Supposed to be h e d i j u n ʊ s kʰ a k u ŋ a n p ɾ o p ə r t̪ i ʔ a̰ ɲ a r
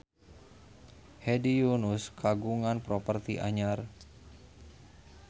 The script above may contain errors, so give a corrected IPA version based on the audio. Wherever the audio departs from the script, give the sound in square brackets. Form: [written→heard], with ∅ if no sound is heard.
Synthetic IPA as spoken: h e d i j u n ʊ s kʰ a [k→ɡ] u ŋ a n p ɾ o p ə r t̪ i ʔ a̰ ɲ a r